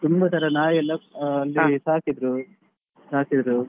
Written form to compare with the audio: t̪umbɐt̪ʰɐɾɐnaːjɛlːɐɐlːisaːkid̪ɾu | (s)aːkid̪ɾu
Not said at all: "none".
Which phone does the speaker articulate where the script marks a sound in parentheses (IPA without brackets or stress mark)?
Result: s